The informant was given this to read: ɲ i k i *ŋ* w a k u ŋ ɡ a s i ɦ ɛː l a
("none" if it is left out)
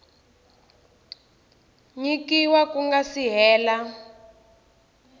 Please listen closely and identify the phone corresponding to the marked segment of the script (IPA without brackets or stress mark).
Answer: none